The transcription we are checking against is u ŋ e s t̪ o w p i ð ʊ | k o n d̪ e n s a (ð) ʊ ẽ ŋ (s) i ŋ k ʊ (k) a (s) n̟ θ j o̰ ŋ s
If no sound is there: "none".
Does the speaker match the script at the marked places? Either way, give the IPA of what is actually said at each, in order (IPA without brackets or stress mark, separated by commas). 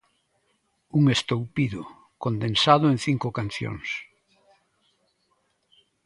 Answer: ð, θ, k, none